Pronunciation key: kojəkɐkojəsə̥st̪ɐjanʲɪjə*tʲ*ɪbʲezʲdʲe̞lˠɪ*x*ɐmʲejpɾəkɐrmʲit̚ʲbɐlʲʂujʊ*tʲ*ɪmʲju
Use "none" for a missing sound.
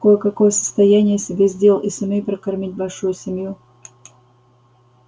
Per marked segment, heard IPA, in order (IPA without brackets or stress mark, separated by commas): sʲ, s, sʲ